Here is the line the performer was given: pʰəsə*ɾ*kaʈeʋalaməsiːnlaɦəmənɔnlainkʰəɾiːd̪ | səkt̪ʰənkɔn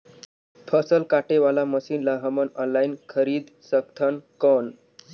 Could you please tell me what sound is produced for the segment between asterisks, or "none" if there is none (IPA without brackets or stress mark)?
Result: l